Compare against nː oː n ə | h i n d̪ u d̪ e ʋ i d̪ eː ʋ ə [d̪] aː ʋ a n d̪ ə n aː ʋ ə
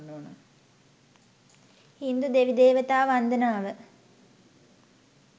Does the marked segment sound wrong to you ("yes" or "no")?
yes